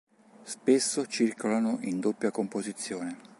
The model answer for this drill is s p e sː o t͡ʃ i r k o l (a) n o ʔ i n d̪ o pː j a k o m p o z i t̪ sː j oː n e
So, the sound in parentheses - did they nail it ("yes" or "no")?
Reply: yes